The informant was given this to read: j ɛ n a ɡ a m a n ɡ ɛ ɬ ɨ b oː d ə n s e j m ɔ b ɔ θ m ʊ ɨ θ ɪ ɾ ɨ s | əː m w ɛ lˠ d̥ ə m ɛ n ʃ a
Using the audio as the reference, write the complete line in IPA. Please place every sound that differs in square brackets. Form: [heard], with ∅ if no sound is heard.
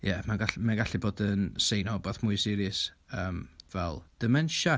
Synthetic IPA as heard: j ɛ [m] a ɡ a m a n ɡ [a] ɬ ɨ b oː d ə n s e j [n] ɔ b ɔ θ m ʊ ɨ [s] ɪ ɾ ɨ s | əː m [v] ɛ lˠ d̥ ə m ɛ n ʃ a